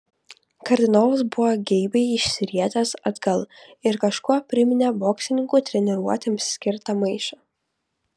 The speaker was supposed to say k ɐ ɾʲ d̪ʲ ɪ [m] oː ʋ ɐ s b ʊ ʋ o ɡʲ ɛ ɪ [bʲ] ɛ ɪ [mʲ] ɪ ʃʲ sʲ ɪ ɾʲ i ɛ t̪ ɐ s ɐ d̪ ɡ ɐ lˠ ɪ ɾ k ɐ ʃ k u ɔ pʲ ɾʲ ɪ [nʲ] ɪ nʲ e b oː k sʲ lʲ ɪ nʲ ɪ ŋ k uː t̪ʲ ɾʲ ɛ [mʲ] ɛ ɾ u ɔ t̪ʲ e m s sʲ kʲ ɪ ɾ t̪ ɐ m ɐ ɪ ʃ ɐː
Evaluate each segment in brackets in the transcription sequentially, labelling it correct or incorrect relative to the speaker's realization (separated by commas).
incorrect, correct, incorrect, incorrect, incorrect